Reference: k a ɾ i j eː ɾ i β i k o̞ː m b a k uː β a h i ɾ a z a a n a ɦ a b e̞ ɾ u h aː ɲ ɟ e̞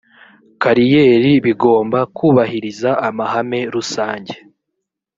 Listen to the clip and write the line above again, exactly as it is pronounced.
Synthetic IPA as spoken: k a ɾ i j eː ɾ i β i ɡ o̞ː m b a k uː β a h i ɾ i z a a m a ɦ a m e̞ ɾ u s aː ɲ ɟ e̞